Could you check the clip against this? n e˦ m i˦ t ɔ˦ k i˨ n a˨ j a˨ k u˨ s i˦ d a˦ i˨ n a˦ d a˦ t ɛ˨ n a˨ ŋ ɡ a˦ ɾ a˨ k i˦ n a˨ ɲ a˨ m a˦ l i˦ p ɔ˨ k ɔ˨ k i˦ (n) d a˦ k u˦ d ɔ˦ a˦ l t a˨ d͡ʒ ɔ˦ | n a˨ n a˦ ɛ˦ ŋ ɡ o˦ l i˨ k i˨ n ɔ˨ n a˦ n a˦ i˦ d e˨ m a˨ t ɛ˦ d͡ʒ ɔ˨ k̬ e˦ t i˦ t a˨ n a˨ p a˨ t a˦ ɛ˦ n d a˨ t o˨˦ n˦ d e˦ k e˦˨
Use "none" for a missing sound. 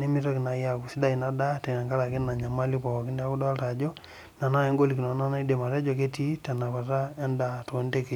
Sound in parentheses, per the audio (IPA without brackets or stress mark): n